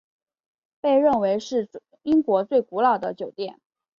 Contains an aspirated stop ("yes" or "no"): no